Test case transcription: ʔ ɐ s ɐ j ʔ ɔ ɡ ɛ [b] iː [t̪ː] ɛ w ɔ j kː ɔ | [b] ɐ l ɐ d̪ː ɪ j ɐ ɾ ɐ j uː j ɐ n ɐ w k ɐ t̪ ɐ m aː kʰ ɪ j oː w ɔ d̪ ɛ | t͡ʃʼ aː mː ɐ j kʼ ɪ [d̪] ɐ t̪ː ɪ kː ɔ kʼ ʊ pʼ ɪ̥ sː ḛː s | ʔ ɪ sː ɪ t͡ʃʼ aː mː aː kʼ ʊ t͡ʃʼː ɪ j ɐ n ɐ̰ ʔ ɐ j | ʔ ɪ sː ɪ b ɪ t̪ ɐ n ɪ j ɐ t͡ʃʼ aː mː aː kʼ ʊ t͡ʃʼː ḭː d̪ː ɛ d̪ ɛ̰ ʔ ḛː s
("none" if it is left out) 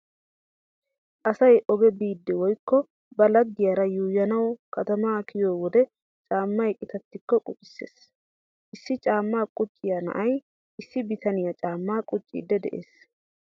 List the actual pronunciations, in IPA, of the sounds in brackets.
b, d̪ː, b, t̪

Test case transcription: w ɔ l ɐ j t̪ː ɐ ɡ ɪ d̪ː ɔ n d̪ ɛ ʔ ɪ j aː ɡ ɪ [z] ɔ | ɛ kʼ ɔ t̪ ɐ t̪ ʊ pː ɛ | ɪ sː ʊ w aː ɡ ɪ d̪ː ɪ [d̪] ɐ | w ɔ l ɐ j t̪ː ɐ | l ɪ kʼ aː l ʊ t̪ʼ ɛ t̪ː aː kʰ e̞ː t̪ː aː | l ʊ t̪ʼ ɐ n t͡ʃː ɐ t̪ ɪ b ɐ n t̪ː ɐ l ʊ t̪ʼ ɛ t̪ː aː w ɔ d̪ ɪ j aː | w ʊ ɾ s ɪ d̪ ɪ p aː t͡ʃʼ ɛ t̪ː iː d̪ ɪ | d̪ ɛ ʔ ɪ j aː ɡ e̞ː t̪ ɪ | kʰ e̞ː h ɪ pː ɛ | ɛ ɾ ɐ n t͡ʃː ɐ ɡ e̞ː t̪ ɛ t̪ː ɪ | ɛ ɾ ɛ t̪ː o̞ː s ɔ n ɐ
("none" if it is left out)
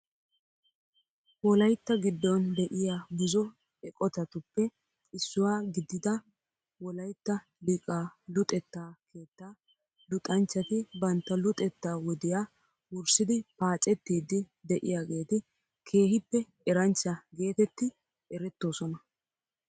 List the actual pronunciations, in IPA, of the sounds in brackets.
z, d̪

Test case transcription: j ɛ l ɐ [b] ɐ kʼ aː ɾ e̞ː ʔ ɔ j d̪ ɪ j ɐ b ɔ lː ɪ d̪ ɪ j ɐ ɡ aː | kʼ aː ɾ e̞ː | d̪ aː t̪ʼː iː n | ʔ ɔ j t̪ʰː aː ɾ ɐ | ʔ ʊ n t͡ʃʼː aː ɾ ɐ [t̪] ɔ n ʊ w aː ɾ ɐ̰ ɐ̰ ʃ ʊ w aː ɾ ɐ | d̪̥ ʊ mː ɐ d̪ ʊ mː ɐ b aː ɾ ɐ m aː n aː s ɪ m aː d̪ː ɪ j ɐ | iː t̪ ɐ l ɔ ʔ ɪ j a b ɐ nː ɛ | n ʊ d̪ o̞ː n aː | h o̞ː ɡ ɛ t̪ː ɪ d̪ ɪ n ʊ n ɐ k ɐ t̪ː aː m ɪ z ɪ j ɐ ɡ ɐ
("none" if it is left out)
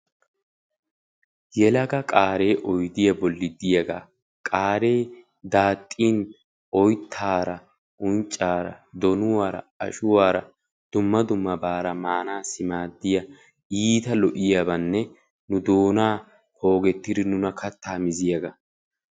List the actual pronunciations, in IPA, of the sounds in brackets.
ɡ, d̪

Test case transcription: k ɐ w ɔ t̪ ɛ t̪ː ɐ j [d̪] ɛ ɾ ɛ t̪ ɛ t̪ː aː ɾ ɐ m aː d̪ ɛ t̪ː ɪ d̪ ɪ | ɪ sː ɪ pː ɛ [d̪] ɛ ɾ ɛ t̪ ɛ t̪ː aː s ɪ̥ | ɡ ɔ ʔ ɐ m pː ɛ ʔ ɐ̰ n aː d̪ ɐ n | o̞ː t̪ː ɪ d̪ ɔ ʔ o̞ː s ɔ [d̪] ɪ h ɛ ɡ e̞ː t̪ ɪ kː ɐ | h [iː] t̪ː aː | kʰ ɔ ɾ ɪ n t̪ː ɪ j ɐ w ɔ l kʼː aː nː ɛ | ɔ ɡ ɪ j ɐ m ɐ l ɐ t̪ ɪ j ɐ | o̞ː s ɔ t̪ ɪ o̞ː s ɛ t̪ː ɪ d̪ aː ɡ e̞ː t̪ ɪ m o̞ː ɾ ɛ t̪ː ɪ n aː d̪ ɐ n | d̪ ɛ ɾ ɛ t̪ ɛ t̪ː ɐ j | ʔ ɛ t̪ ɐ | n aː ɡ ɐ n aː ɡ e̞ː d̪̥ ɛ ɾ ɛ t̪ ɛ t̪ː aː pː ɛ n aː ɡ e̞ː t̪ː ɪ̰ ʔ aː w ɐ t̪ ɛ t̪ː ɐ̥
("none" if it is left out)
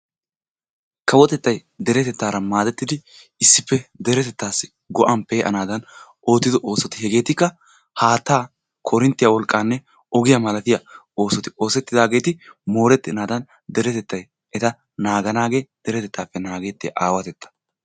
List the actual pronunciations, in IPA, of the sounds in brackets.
d̪, d̪, t̪, aː

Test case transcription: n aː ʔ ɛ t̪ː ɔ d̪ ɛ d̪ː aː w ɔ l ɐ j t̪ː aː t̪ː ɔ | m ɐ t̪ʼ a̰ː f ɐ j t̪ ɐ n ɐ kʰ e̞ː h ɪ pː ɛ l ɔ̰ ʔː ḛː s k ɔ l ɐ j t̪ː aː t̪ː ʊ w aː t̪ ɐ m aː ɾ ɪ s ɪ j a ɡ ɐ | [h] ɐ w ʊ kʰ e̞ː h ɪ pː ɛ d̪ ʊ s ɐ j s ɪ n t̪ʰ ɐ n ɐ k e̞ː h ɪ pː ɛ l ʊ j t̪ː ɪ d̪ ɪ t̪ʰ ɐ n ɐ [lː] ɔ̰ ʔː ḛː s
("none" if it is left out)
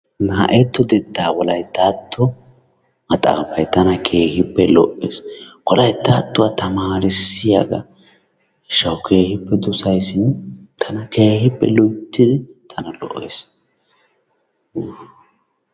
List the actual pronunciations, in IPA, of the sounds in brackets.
ʃ, l

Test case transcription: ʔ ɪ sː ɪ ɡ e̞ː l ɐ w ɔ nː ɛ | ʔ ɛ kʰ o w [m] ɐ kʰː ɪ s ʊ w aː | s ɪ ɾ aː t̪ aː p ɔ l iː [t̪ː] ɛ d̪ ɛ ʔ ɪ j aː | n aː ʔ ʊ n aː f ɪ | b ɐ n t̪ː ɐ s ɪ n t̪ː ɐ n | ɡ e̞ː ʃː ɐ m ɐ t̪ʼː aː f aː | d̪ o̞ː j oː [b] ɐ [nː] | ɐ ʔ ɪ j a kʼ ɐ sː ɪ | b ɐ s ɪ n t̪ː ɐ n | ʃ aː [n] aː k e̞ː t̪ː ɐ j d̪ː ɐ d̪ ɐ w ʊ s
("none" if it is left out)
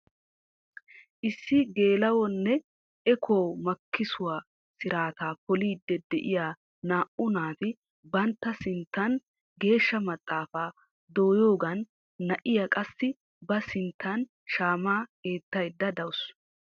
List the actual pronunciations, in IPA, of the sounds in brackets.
m, d̪ː, ɡ, nː, m

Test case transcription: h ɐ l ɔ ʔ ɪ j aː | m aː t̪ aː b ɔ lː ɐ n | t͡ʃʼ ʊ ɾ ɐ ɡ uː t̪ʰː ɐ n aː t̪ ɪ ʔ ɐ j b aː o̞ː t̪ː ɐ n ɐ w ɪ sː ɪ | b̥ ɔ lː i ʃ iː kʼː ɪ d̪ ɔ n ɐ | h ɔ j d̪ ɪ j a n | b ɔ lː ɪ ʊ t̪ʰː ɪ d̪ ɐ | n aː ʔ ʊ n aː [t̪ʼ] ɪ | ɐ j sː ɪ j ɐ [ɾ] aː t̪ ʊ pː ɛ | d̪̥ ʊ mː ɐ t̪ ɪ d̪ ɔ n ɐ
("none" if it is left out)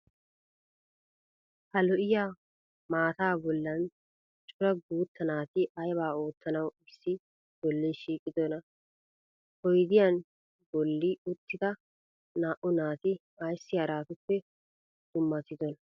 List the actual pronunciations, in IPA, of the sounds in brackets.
t̪, ɾ

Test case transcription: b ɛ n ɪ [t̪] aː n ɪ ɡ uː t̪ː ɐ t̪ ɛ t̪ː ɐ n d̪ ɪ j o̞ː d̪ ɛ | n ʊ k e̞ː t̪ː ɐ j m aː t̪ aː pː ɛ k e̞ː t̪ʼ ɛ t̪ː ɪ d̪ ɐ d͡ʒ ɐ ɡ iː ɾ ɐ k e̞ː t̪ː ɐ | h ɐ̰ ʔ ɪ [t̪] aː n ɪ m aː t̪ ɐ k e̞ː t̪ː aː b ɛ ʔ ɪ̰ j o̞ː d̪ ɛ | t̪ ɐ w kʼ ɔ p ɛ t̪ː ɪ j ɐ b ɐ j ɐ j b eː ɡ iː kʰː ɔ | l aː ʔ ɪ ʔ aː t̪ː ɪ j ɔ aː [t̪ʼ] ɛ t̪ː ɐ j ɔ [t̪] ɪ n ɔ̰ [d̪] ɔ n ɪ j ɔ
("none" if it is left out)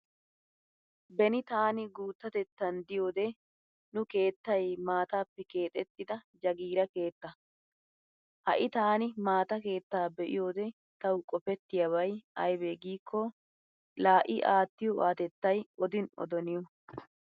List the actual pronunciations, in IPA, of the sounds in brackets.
t̪, t̪, t̪, d̪, d̪

